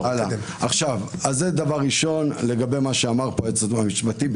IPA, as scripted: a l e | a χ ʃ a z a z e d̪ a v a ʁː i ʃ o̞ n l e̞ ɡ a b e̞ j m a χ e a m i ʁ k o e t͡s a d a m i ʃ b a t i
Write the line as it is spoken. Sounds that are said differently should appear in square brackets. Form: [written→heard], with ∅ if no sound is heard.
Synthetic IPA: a l [e→a] | a χ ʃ a [z→v] a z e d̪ a v a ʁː i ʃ o̞ n l e̞ ɡ a b e̞ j m a [χ→ʃ] e a m [i→a] ʁ [k→p] o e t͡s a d a m i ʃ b a t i

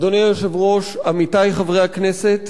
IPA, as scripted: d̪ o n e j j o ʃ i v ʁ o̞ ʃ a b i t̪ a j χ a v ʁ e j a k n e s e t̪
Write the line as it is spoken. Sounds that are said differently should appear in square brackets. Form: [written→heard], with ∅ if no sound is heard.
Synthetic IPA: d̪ o n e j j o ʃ [i→e] v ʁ o̞ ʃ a [b→m] i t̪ a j χ a v ʁ e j a k n e s e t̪

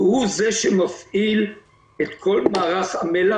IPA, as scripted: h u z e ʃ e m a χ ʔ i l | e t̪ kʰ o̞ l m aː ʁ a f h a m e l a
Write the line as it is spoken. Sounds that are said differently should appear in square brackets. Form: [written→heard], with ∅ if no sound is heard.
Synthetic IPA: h u z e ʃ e m a [χ→f] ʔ i l | e t̪ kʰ o̞ l m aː ʁ a [f→χ] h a m e l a

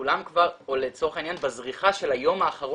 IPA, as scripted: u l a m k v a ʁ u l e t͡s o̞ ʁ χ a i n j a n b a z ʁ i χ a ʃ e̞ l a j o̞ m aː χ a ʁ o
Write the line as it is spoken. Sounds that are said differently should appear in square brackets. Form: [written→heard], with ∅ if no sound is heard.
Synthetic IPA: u l a m k v a ʁ [u→o] l e t͡s o̞ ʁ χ a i n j a n b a z ʁ i χ a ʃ e̞ l a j o̞ m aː χ a ʁ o

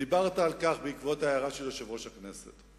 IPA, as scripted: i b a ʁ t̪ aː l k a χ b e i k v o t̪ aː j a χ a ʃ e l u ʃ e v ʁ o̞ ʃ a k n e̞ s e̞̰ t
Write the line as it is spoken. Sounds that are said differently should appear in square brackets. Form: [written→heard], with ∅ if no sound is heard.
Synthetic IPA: i b a ʁ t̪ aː l k a χ b e i k v o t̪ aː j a [χ→ʁ] a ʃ e l [u→o] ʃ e v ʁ o̞ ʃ a k n e̞ s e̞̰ t

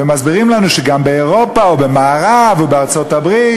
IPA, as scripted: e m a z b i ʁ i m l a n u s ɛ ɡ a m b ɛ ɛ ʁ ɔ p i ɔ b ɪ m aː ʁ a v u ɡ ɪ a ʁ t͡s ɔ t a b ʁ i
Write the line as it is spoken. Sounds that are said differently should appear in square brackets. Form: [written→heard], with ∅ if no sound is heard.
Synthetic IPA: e m a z b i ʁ i m l a n u [s→ʃ] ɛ ɡ a m b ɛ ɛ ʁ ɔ p [i→a] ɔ b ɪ m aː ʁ a v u [ɡ→b] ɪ a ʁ t͡s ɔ t a b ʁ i

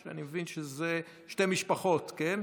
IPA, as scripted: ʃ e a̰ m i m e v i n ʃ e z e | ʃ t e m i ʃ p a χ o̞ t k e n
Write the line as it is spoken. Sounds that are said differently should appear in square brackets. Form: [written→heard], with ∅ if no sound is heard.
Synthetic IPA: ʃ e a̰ [m→n] i m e v i n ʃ e z e | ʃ t e m i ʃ p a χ o̞ t k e n

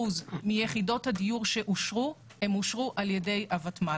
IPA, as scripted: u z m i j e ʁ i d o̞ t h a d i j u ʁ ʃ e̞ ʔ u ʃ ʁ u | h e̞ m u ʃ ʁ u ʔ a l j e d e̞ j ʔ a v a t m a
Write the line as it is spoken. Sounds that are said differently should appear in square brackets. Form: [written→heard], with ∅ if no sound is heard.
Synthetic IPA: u z m i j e [ʁ→χ] i d o̞ t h a d i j u ʁ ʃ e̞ ʔ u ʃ ʁ u | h e̞ m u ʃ ʁ u ʔ a l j e d e̞ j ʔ a v a t m a

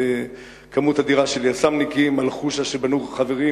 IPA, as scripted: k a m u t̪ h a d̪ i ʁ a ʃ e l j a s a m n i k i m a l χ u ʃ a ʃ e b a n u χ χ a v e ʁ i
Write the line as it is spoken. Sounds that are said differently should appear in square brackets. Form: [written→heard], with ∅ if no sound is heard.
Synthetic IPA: k a m u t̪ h a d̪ i ʁ a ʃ e l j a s a m n i k i m a l χ u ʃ a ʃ e b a n u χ χ a v e ʁ i

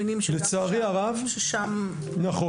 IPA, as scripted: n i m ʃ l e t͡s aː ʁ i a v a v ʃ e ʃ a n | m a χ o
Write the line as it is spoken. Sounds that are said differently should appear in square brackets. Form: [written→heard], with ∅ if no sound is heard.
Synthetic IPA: n i m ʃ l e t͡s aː ʁ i a [v→ʁ] a v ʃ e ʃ a [n→m] | [m→n] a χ o

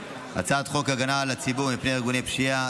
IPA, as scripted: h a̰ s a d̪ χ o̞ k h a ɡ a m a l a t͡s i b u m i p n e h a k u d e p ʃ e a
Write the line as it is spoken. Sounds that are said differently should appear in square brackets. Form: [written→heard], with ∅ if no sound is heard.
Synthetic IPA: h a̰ [s→t͡s] a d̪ χ o̞ k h a ɡ a [m→n] a l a t͡s i b u m i p n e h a [k→ɡ] u [d→n] e p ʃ [e→i] a

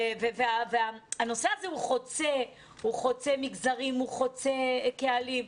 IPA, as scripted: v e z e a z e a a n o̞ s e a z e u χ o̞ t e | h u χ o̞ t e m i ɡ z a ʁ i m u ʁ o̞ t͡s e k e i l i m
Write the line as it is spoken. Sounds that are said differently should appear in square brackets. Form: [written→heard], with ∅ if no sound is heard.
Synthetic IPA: v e [z→v] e a [z→v] e a a n o̞ s e a z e u χ o̞ [t→t͡s] e | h u χ o̞ [t→t͡s] e m i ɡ z a ʁ i m u [ʁ→χ] o̞ t͡s e k e [i→a] l i m

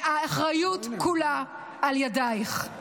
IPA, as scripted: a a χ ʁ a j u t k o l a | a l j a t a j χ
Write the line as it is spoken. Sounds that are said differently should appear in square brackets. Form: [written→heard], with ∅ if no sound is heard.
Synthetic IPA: a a χ ʁ a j u t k [o→u] l a | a l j a [t→d] a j χ

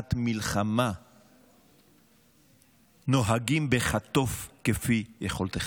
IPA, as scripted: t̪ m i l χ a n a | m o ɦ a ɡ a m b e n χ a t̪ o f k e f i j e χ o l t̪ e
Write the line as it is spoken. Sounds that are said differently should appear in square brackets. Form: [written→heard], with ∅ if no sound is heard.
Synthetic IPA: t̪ m i l χ a [n→m] a | [m→n] o ɦ a ɡ [a→i] m b e [n→∅] χ a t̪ o f k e f i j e χ o l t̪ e

